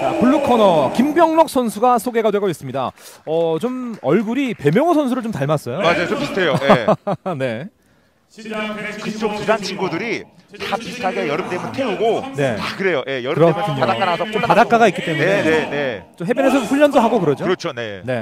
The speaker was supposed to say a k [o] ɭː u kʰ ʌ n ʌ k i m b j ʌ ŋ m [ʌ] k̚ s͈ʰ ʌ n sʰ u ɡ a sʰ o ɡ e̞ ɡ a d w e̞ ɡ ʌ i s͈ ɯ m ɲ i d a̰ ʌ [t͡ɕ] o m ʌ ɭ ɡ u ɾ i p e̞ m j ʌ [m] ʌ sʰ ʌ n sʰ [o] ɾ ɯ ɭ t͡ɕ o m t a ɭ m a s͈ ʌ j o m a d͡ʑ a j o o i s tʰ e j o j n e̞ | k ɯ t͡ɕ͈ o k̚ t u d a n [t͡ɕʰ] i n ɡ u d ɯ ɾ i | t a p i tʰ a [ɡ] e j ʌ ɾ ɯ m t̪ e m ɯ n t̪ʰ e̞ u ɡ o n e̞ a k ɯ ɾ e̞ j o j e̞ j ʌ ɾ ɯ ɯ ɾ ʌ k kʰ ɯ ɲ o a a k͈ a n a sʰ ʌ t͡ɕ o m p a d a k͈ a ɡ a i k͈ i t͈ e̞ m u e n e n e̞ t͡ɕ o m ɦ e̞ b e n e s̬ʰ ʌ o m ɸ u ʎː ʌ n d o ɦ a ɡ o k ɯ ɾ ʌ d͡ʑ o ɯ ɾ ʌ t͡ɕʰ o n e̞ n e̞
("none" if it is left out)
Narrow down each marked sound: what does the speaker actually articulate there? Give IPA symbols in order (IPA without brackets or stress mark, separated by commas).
u, ʌ, t͡ɕ, ŋ, u, t͡ɕʰ, ɡ